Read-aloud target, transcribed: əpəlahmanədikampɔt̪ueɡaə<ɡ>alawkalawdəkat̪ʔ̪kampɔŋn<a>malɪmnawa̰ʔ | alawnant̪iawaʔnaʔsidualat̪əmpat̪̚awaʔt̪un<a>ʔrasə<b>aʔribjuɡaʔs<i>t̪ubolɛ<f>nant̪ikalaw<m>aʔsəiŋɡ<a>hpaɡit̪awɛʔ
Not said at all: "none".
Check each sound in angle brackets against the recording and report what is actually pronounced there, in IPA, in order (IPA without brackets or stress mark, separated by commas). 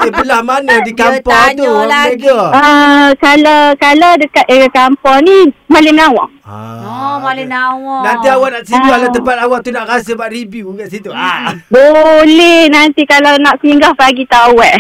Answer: k, i, a, b, i, h, n, a